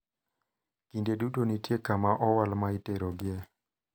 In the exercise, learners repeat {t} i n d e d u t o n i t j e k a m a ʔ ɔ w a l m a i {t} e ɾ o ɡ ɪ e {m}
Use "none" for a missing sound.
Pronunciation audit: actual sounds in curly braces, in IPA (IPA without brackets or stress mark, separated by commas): k, t, none